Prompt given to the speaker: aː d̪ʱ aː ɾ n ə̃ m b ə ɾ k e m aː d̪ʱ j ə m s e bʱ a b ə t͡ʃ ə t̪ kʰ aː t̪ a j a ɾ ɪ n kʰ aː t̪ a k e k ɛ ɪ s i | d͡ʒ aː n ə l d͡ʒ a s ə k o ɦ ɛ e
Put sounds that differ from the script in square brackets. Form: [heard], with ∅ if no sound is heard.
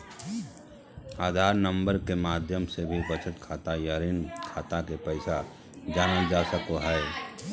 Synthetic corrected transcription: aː d̪ʱ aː ɾ n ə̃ m b ə ɾ k e m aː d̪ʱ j ə m s e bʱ [i] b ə t͡ʃ ə t̪ kʰ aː t̪ a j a ɾ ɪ n kʰ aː t̪ a k e [p] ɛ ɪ s [a] | d͡ʒ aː n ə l d͡ʒ a s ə k o ɦ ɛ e